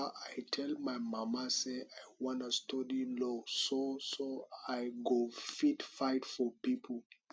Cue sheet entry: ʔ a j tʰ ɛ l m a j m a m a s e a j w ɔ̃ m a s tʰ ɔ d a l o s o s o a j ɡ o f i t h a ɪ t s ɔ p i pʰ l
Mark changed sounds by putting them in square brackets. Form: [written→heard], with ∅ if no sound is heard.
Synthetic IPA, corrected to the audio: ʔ a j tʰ ɛ l m a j m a m a s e a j w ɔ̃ [m→n] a s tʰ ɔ d [a→i] l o s o s o a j ɡ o f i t [h→f] a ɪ t [s→f] ɔ p i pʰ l